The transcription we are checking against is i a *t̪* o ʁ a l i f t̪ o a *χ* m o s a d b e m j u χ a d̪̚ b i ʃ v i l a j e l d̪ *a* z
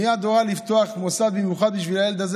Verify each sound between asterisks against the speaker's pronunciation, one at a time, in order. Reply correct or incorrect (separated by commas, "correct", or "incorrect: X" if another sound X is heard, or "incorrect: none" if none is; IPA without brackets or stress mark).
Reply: incorrect: d̪, correct, correct